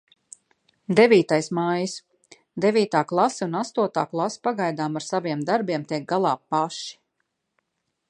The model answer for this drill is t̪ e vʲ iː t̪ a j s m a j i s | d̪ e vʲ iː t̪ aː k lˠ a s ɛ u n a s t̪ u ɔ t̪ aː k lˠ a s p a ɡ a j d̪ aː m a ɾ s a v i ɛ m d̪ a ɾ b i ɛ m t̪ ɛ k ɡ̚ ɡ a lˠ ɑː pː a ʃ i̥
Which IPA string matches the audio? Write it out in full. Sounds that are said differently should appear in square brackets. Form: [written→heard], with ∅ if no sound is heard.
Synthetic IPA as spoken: [t̪→d̪] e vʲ iː t̪ a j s m a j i s | d̪ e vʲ iː t̪ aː k lˠ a s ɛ u n a s t̪ u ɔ t̪ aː k lˠ a s p a ɡ a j d̪ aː m a ɾ s a v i ɛ m d̪ a ɾ b i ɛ m t̪ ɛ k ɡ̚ ɡ a lˠ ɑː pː a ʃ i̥